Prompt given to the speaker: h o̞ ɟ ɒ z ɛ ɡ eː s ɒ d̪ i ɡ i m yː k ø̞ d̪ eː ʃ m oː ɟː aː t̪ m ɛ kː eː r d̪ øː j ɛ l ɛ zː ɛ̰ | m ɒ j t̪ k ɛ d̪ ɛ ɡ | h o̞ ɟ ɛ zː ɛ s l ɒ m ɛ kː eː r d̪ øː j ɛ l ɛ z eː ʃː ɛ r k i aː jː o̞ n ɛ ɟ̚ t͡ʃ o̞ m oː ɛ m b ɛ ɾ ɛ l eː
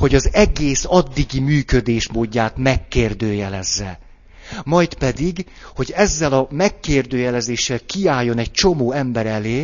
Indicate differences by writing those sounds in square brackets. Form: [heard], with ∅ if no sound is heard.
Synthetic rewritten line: h o̞ ɟ ɒ z ɛ ɡ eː s ɒ [d̪ː] i ɡ i m yː k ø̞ d̪ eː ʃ m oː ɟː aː t̪ m ɛ kː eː r d̪ øː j ɛ l ɛ zː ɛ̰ | m ɒ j t̪ [p] ɛ d̪ [i] ɡ | h o̞ ɟ ɛ zː ɛ [∅] l ɒ m ɛ kː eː r d̪ øː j ɛ l ɛ z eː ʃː ɛ [l] k i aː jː o̞ n ɛ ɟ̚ t͡ʃ o̞ m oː ɛ m b ɛ ɾ ɛ l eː